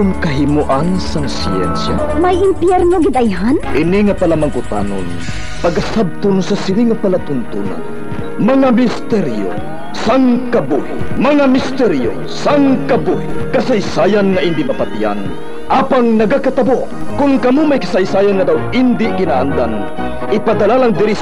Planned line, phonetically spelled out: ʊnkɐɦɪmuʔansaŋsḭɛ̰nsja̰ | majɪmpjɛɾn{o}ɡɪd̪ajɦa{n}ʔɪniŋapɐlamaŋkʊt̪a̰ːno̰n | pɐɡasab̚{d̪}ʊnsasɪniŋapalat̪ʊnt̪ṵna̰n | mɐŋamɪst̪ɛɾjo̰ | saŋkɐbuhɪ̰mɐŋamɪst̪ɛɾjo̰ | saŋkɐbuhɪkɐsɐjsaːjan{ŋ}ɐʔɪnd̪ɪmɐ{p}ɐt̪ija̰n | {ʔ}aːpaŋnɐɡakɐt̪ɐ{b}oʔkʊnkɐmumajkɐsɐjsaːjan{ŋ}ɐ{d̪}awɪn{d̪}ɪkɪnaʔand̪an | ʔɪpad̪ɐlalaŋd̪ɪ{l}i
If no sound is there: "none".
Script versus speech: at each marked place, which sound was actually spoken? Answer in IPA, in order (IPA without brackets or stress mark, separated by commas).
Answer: o, n, t̪, ŋ, p, ʔ, b, ŋ, d̪, d̪, ɾ